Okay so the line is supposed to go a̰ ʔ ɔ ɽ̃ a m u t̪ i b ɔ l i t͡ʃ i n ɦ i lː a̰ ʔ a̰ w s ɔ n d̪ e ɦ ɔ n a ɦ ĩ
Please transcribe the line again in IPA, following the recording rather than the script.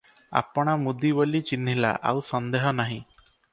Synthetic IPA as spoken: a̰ p ɔ ɽ̃ a m u d̪ i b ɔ l i t͡ʃ i n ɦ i l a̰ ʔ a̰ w s ɔ n d̪ e ɦ ɔ n a ɦ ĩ